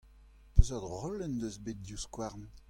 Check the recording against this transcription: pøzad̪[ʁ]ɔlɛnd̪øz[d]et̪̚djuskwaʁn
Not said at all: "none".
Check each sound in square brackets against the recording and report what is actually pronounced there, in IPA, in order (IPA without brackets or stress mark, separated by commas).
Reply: ʁ, b